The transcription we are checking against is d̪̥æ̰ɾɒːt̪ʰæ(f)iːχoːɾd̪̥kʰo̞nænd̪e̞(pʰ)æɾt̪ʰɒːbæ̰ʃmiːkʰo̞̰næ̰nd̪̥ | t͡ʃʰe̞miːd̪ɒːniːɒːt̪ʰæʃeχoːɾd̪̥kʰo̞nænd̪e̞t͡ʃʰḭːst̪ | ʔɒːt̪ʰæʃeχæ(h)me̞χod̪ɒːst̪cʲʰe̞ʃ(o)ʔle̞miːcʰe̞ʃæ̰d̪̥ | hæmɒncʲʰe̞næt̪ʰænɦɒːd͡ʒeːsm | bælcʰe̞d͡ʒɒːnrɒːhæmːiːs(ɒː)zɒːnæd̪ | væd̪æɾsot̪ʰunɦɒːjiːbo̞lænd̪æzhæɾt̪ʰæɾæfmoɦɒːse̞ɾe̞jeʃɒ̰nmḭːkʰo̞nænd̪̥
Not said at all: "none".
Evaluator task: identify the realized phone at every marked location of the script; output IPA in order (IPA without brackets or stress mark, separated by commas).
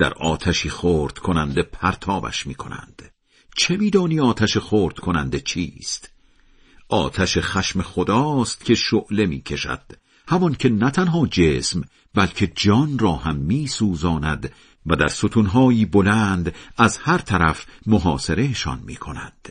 ʃ, pʰ, ʃ, o, uː